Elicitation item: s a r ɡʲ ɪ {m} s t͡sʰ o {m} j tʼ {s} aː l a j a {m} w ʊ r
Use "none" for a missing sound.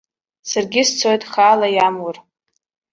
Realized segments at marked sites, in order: none, none, χ, m

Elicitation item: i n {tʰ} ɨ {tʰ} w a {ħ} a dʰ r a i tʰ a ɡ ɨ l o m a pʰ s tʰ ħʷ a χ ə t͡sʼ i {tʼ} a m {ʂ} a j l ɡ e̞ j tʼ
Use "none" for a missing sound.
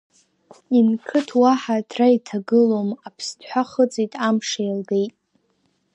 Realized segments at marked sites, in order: kʰ, tʰ, ħ, tʼ, ʂ

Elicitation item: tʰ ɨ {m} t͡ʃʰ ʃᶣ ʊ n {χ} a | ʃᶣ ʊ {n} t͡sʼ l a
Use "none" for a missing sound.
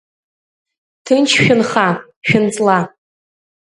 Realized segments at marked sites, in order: n, χ, n

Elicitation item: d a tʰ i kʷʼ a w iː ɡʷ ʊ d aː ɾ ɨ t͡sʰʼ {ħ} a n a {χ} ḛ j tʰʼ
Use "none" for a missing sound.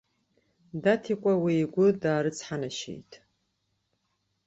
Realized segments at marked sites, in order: ħ, ʃ

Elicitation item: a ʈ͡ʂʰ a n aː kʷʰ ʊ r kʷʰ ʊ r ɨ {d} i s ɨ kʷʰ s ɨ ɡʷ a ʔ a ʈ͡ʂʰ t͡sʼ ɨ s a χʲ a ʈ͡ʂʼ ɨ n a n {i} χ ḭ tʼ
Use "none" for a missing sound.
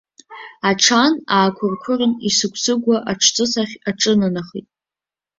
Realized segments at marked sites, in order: n, a

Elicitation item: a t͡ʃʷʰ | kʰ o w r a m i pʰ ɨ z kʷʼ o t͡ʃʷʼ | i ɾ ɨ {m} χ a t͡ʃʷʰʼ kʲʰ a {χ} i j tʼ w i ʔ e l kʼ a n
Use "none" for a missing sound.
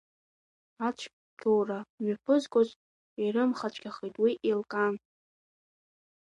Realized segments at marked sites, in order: m, χ

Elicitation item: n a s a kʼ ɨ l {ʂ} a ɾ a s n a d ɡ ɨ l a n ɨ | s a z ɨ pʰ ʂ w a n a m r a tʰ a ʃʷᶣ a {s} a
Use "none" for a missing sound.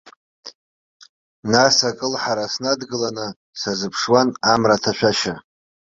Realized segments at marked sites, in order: ħ, ʃ

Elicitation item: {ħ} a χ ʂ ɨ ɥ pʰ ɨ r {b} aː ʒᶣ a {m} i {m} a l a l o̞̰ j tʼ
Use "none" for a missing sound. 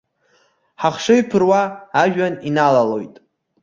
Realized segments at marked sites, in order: ħ, w, n, n

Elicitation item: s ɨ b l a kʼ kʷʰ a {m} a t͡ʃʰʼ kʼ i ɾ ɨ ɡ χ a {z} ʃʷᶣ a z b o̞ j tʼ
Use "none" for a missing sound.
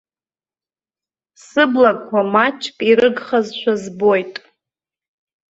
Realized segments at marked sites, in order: m, z

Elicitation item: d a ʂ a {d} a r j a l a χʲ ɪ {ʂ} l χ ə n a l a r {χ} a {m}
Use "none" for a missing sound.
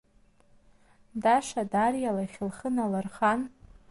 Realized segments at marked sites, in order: d, none, χ, n

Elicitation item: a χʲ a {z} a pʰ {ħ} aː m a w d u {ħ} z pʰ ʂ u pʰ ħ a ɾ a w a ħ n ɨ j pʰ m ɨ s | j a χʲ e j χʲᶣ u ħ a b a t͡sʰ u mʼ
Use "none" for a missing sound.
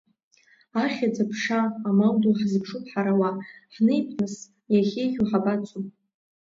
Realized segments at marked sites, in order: d͡z, ʂ, ħ

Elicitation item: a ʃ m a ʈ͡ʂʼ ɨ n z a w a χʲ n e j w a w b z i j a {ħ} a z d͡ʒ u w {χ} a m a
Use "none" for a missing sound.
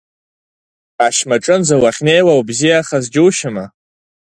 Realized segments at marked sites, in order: χ, ʃ

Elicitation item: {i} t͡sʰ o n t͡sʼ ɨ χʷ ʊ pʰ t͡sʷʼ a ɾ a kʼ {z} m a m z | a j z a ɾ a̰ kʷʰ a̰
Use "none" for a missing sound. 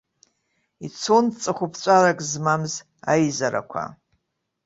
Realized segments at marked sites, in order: i, z

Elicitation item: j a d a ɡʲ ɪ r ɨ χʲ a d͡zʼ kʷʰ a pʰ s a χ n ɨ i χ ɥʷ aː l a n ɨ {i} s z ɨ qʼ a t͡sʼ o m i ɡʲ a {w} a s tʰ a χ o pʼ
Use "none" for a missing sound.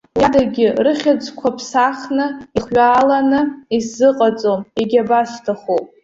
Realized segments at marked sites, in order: i, b

